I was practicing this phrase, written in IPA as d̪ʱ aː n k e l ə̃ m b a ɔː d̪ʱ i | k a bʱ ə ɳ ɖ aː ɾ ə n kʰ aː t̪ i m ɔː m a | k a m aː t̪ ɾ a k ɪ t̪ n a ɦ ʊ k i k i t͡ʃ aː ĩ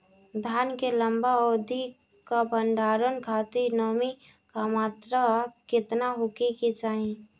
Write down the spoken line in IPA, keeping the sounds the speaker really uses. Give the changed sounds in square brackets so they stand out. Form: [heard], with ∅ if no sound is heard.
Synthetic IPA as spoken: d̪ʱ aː n k e l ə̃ m b a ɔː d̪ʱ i | k a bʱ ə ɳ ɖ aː ɾ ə n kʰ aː t̪ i [n] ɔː m [i] | k a m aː t̪ ɾ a k ɪ t̪ n a ɦ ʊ k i k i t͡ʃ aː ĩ